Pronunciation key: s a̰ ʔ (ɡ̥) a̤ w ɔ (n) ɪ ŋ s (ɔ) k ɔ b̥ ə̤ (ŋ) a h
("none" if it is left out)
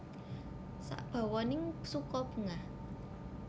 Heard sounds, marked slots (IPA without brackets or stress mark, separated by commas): b̥, n, u, ŋ